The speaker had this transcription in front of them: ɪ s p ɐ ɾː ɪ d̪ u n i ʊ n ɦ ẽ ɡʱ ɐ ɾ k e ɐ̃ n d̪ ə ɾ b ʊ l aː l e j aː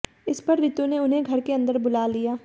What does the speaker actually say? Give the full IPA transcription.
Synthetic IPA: ɪ s p ɐ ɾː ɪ t̪ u n e ʊ n ɦ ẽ ɡʱ ɐ ɾ k e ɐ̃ n d̪ ə ɾ b ʊ l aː l i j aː